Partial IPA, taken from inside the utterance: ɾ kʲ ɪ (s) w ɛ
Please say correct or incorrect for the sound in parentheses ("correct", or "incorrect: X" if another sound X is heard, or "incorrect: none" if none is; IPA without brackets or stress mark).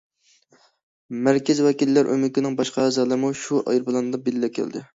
incorrect: z